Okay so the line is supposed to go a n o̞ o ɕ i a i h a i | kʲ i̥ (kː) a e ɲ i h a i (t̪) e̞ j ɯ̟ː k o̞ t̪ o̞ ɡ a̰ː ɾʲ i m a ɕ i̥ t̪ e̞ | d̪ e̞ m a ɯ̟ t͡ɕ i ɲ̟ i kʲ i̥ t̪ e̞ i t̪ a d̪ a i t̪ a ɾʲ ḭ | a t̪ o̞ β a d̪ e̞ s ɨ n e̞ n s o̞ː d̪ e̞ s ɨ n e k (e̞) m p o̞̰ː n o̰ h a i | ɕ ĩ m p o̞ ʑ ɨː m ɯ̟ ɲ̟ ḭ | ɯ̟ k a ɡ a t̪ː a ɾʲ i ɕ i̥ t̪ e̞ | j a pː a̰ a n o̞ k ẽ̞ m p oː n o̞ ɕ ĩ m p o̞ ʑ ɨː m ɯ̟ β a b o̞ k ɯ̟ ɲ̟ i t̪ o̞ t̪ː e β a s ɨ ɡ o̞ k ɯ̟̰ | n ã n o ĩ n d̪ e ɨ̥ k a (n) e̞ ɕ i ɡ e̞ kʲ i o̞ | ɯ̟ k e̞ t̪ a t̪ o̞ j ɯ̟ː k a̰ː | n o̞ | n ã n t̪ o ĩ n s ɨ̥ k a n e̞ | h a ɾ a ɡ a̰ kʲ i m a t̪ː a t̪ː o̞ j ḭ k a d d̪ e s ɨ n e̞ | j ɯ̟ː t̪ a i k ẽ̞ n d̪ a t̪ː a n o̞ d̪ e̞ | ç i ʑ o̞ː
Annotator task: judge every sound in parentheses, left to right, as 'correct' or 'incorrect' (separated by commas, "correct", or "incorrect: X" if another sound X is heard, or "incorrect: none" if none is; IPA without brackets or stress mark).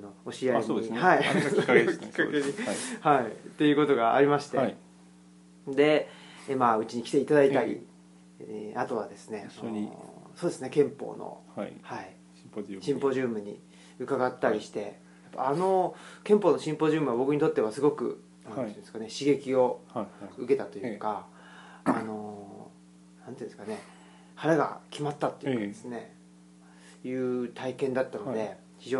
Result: correct, correct, incorrect: ẽ̞, correct